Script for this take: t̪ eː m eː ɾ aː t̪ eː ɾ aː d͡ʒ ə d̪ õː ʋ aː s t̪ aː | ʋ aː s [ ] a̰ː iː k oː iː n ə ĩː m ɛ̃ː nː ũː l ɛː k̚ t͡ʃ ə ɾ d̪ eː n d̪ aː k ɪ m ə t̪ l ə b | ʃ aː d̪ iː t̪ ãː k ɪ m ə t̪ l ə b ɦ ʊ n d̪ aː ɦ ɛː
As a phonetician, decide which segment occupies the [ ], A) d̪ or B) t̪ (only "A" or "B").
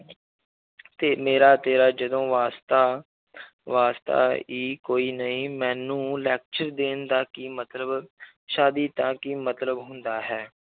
B